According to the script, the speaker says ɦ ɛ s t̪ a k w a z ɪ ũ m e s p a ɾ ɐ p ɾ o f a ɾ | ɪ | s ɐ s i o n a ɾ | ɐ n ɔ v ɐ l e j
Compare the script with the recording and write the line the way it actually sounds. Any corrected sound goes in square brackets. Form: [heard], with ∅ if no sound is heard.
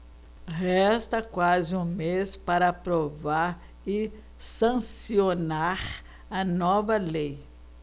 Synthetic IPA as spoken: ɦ ɛ s t̪ [ɐ] k w a z ɪ ũ m e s p a ɾ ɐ p ɾ o [v] a ɾ | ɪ | s [ɐ̃] s i o n a ɾ | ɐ n ɔ v ɐ l e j